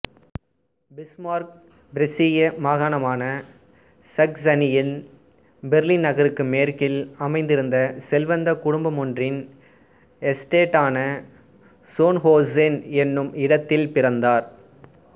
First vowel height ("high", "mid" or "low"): high